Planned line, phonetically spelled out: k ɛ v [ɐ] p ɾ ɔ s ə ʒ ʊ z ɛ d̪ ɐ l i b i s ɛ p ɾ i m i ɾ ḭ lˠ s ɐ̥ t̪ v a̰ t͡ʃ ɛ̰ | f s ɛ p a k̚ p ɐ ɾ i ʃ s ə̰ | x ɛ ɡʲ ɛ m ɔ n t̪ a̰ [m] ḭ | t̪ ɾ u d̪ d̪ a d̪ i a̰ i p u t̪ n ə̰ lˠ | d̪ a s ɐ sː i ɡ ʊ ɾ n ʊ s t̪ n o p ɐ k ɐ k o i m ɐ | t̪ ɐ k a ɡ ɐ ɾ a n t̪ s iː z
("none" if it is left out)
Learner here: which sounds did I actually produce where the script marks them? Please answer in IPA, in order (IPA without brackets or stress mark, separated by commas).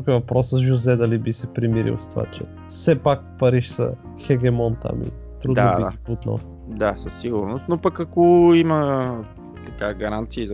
ɐ, m